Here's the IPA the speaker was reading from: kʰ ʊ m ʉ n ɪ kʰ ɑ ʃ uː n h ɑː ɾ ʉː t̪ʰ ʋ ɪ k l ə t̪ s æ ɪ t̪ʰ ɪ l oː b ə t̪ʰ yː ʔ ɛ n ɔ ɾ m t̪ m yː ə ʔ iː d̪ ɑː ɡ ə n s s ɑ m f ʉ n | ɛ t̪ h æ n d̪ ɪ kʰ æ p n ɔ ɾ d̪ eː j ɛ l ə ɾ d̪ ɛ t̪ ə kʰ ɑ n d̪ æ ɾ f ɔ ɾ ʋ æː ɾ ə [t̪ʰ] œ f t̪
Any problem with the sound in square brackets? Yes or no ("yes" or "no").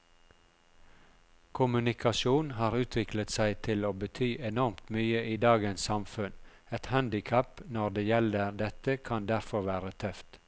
no